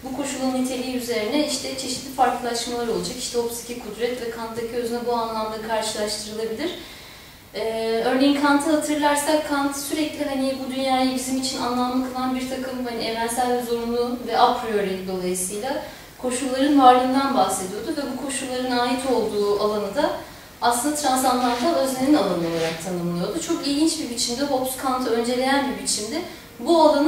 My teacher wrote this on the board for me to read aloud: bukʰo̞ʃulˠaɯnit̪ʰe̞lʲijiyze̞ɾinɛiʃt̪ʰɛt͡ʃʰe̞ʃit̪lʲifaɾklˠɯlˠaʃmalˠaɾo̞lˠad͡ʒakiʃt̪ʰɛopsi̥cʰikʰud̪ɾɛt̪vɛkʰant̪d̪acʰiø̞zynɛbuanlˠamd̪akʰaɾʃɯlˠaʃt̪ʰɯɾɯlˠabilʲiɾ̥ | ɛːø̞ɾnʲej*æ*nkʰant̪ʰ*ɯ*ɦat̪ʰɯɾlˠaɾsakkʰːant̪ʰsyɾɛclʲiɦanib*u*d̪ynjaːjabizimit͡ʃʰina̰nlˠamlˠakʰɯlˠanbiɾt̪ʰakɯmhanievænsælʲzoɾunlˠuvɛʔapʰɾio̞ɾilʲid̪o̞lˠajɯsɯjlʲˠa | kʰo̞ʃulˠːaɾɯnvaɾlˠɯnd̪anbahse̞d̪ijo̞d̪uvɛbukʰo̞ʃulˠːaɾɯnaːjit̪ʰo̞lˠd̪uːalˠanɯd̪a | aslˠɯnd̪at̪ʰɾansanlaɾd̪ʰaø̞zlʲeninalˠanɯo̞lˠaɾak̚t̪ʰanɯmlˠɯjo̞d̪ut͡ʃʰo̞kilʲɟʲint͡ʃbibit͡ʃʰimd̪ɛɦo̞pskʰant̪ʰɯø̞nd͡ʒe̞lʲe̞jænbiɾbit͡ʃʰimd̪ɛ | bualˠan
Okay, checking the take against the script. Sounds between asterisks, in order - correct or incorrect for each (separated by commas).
incorrect, correct, correct